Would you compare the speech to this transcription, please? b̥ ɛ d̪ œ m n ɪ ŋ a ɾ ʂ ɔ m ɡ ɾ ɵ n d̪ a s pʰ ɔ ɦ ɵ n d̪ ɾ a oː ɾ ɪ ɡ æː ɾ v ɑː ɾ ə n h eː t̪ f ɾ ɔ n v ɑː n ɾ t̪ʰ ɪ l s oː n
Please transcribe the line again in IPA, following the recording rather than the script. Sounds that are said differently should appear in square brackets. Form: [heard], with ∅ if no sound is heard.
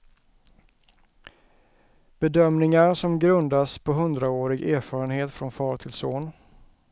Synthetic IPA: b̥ ɛ d̪ œ m n ɪ ŋ a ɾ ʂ ɔ m ɡ ɾ ɵ n d̪ a s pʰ ɔ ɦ ɵ n d̪ ɾ a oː ɾ ɪ ɡ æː ɾ [f] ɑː ɾ ə n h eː t̪ f ɾ ɔ n [f] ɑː [∅] ɾ t̪ʰ ɪ l s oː n